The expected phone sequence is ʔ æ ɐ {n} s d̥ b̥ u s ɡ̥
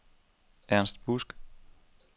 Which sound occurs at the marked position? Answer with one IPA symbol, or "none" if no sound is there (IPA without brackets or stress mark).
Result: n